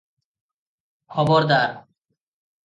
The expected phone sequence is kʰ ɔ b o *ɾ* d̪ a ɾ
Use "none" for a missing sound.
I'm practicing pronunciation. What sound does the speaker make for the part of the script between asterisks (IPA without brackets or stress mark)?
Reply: ɾ